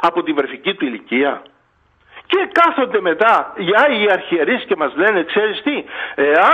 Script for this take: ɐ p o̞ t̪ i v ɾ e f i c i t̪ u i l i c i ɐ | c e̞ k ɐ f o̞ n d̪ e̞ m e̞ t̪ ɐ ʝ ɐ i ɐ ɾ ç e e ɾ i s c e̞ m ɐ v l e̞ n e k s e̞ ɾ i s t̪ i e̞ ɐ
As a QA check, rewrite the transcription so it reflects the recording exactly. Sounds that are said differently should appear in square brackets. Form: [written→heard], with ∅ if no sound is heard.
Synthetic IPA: ɐ p o̞ t̪ i v ɾ e f i c i t̪ u i l i c i ɐ | c e̞ k ɐ [f→θ] o̞ n d̪ e̞ m e̞ t̪ ɐ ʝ ɐ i ɐ ɾ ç [e→i] e ɾ i s c e̞ m ɐ [v→z] l e̞ n e k s e̞ ɾ i s t̪ i e̞ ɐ